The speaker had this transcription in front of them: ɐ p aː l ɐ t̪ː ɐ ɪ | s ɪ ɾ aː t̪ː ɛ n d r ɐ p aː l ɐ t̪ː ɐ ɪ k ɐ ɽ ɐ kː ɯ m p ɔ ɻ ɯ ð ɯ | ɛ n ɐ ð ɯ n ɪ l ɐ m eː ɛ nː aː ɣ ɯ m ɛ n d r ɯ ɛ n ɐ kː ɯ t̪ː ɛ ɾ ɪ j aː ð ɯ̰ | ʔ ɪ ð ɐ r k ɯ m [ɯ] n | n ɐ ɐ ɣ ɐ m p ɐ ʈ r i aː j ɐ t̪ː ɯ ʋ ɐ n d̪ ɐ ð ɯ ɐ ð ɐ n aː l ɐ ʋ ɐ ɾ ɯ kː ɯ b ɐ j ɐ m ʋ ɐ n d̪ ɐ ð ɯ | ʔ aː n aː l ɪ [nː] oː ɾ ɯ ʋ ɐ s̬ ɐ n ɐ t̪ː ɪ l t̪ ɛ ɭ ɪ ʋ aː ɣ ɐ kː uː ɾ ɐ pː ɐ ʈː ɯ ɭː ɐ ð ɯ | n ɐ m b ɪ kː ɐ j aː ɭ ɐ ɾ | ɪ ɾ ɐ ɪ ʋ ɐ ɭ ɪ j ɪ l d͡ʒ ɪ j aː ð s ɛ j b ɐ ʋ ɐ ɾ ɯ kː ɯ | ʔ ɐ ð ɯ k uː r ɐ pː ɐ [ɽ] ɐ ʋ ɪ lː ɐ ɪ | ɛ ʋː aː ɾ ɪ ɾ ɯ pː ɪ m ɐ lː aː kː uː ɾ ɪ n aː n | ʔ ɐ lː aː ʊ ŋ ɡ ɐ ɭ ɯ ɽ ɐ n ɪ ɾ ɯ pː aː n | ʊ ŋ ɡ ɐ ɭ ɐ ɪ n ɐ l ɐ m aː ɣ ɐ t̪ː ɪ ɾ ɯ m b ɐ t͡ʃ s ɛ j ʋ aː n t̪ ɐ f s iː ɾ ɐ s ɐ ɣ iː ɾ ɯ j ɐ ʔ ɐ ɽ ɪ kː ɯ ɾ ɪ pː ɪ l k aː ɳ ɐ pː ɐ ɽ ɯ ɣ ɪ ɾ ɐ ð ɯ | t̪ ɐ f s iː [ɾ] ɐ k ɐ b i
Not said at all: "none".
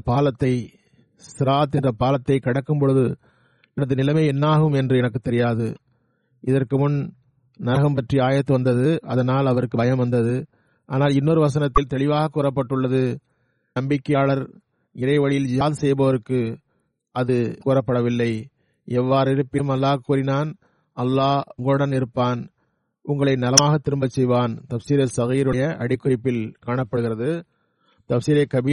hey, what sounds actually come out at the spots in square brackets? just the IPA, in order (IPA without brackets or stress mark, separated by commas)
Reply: ʊ, nː, ɽ, ɾ